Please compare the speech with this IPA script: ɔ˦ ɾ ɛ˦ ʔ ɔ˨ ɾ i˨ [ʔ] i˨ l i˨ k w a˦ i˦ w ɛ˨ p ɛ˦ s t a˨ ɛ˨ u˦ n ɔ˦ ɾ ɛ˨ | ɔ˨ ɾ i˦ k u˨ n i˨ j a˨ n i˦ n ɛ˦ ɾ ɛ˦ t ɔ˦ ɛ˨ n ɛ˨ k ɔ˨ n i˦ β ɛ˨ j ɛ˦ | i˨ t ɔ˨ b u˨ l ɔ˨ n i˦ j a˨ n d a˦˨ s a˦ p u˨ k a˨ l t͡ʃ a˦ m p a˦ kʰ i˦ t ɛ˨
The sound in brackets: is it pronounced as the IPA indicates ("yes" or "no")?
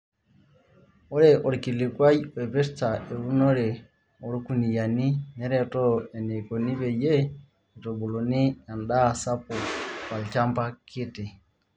no